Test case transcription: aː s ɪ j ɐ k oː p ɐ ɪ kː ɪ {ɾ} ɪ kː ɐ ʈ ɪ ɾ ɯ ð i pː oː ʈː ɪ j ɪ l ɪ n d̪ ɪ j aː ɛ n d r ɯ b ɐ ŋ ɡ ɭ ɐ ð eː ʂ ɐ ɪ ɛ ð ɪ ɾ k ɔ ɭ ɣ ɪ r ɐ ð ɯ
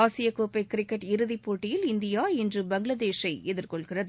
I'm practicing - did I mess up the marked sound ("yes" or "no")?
no